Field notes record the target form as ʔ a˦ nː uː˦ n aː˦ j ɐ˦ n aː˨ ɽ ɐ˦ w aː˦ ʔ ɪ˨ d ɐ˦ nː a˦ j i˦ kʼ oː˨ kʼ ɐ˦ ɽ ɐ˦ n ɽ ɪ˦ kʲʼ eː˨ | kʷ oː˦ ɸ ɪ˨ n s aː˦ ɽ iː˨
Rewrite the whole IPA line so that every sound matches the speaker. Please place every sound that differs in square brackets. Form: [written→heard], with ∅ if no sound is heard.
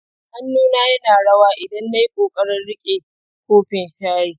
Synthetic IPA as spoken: ʔ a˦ nː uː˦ n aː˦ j ɐ˦ n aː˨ ɽ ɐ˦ w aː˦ ʔ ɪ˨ d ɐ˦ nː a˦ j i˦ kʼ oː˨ kʼ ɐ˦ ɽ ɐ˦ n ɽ ɪ˦ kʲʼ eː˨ | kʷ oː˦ ɸ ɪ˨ n [s→ʃ] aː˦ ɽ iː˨